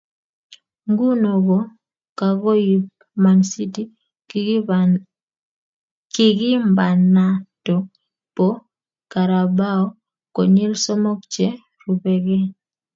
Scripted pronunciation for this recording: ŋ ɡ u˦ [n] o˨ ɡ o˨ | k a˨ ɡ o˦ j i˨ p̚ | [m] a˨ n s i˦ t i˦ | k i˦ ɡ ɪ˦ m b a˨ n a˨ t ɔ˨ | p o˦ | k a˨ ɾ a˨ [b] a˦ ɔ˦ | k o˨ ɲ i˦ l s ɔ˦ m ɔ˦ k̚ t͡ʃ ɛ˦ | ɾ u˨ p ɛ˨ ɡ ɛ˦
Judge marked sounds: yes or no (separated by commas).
yes, yes, yes